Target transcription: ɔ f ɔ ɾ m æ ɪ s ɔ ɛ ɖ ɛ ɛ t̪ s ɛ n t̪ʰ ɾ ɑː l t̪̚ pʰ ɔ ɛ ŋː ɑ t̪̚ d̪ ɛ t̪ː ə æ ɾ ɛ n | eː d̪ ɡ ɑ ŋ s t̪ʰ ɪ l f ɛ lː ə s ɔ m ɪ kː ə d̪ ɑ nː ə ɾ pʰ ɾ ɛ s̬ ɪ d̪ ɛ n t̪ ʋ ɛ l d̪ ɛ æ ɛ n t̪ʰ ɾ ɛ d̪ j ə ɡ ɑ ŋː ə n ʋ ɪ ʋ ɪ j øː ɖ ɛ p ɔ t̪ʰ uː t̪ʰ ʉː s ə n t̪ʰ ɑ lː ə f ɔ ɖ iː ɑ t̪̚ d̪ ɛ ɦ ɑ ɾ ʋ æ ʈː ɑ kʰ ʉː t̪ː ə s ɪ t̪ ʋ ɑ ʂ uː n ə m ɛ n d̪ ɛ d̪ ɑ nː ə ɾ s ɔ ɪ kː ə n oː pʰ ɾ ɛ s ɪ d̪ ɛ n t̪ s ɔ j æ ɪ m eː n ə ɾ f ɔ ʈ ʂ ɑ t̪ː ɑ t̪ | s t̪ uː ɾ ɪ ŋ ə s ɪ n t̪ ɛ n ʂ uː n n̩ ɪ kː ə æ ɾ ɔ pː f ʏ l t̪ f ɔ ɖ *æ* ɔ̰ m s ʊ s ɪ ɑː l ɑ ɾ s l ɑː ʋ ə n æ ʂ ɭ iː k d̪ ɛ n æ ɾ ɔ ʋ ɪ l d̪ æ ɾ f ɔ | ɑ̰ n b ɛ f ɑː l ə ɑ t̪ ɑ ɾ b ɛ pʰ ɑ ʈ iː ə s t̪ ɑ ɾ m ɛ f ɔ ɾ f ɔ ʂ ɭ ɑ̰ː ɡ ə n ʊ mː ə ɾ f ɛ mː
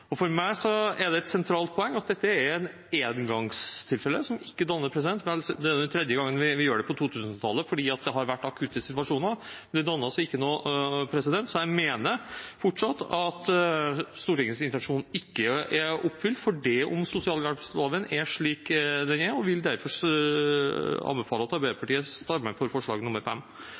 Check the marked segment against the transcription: incorrect: ɛ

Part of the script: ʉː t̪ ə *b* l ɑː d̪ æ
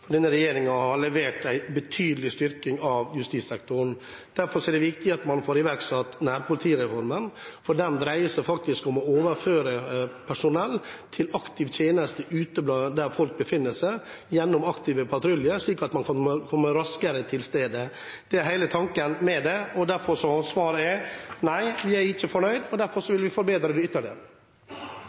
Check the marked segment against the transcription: correct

